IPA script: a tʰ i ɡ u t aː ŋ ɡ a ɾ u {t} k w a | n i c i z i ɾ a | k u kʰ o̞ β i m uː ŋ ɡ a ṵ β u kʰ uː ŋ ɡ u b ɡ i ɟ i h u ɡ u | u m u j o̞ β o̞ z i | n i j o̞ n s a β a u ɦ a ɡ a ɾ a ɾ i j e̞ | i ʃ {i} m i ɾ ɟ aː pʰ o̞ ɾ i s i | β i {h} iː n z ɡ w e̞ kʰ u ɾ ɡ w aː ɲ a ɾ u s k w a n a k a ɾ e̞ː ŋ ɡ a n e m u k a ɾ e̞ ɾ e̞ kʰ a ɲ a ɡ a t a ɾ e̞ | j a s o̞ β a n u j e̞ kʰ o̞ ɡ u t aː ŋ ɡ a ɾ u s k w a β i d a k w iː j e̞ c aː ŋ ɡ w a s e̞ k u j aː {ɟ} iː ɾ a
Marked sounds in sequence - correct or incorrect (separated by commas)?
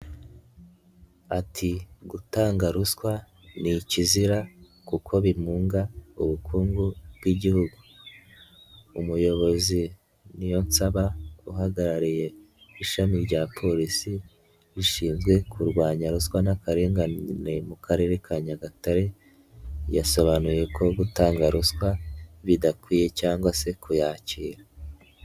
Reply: incorrect, incorrect, incorrect, incorrect